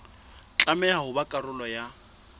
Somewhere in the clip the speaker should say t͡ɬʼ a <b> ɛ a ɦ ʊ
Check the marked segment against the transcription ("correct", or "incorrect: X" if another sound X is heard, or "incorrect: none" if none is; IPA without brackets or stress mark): incorrect: m